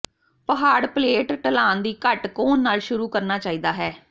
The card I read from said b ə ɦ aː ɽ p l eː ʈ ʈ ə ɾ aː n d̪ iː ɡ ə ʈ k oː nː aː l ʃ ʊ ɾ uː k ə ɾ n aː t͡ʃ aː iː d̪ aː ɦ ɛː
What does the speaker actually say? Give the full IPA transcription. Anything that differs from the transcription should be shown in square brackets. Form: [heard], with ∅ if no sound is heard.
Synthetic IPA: [p] ə ɦ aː ɽ p l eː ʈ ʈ ə [l] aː n d̪ iː [k] ə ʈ k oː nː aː l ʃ ʊ ɾ uː k ə ɾ n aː t͡ʃ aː iː d̪ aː ɦ ɛː

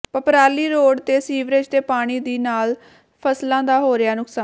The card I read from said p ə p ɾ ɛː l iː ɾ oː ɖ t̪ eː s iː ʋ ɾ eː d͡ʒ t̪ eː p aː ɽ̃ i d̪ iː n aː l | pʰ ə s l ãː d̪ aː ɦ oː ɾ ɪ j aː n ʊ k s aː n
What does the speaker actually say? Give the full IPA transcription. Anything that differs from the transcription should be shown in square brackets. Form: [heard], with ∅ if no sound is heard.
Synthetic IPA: p ə p ɾ [aː] l iː ɾ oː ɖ t̪ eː s iː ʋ ɾ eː d͡ʒ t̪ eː p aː ɽ̃ [iː] d̪ iː n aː l | pʰ ə s l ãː d̪ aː ɦ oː ɾ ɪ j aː n ʊ k s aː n

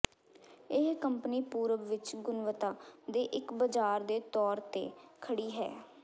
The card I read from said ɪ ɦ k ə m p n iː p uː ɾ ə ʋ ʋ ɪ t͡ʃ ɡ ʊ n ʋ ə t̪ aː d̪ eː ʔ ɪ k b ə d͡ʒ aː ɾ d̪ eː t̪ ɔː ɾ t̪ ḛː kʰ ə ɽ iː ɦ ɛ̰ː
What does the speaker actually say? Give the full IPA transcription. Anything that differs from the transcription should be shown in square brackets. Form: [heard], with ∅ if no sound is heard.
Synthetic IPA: ɪ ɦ k ə m p n iː p uː ɾ ə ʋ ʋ ɪ t͡ʃ ɡ ʊ n ʋ ə t̪ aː d̪ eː ʔ ɪ k b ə d͡ʒ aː ɾ d̪ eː t̪ ɔː ɾ t̪ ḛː kʰ ə ɽ iː ɦ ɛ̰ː

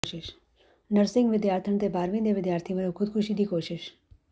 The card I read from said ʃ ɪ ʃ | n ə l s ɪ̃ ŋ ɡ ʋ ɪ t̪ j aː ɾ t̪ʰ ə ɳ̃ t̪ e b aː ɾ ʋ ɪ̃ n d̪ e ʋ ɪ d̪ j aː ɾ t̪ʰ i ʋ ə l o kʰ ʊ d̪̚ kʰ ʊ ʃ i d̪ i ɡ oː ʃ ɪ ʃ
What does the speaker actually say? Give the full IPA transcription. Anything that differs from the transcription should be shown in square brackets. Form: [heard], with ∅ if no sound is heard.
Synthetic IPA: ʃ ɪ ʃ | n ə [ɾ] s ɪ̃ ŋ ɡ ʋ ɪ [d̪] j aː ɾ t̪ʰ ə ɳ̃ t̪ e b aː ɾ ʋ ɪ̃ n d̪ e ʋ ɪ d̪ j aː ɾ t̪ʰ i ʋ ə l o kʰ ʊ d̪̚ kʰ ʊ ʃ i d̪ i [k] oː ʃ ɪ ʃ

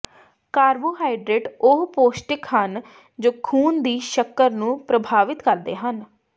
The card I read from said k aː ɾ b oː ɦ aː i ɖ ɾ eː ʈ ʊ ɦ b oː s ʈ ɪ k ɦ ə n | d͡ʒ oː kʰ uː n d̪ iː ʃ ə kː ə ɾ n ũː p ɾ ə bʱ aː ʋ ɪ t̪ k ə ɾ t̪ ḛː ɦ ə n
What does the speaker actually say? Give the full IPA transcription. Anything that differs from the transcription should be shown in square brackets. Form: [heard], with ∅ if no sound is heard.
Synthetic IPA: k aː ɾ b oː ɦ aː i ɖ ɾ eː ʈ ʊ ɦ [p] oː s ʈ ɪ k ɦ ə n | d͡ʒ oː kʰ uː n d̪ iː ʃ ə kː ə ɾ n ũː p ɾ ə bʱ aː ʋ ɪ t̪ k ə ɾ [d̪] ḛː ɦ ə n

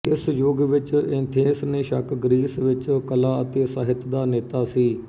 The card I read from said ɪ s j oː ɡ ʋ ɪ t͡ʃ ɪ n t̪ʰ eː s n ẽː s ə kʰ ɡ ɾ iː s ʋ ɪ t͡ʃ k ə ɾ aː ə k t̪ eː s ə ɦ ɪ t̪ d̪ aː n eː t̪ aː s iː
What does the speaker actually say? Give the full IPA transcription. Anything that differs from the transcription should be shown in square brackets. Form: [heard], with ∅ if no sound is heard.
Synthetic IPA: ɪ s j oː ɡ ʋ ɪ t͡ʃ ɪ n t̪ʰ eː s n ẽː [ʃ] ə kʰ ɡ ɾ iː s ʋ ɪ t͡ʃ k ə [l] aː ə [∅] t̪ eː s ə ɦ ɪ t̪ d̪ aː n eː t̪ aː s iː

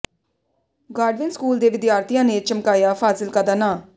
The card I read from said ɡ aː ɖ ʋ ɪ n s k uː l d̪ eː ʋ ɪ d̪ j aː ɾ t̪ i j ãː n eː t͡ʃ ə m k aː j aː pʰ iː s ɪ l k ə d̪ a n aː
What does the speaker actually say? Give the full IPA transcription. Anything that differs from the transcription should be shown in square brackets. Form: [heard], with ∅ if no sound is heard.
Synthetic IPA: ɡ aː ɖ ʋ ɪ n s k uː l d̪ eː ʋ ɪ d̪ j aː ɾ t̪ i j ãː n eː t͡ʃ ə m k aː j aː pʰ [aː] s ɪ l k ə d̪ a n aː

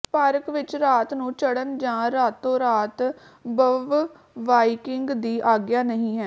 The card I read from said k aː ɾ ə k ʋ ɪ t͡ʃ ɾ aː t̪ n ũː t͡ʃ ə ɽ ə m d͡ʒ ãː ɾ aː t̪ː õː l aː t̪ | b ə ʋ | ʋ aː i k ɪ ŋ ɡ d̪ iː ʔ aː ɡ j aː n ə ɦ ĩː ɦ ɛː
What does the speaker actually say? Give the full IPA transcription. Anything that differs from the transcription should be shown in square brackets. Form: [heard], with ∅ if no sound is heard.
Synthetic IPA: [p] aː ɾ ə k ʋ ɪ t͡ʃ ɾ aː t̪ n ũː t͡ʃ ə ɽ ə [n] d͡ʒ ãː ɾ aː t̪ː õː [ɾ] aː t̪ | b ə ʋ | ʋ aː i k ɪ ŋ ɡ d̪ iː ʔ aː ɡ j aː n ə ɦ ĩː ɦ ɛː

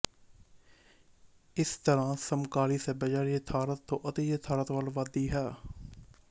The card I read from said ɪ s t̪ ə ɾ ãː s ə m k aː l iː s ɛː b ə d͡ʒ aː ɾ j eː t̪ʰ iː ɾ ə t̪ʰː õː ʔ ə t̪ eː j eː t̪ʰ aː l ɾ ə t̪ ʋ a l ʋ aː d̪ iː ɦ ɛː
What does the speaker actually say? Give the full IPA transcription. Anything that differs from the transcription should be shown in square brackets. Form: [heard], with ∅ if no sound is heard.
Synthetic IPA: ɪ s t̪ ə ɾ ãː s ə m k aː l iː s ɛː b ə d͡ʒ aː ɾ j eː t̪ʰ [aː] ɾ ə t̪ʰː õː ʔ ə t̪ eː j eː t̪ʰ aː [∅] ɾ ə t̪ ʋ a l ʋ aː d̪ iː ɦ ɛː

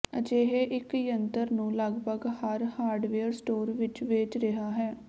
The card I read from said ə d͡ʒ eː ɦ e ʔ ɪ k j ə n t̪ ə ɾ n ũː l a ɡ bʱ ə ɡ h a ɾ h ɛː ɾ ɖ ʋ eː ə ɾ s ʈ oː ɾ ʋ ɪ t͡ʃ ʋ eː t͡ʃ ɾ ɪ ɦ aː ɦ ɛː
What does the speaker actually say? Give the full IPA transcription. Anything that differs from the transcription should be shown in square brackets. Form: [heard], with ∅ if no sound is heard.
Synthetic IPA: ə d͡ʒ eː ɦ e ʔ ɪ k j ə n t̪ ə ɾ n ũː l [ə] ɡ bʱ ə ɡ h a ɾ h [aː] ɾ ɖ ʋ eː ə ɾ s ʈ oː ɾ ʋ ɪ t͡ʃ ʋ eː t͡ʃ ɾ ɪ ɦ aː ɦ ɛː

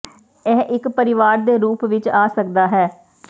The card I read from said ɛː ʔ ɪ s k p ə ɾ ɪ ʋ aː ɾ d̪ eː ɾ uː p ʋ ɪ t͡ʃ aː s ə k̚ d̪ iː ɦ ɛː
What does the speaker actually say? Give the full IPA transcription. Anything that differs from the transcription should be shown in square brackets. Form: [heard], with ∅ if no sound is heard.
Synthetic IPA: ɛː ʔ ɪ [∅] k p ə ɾ ɪ ʋ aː ɾ d̪ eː ɾ uː p ʋ ɪ t͡ʃ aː s ə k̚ d̪ [aː] ɦ ɛː

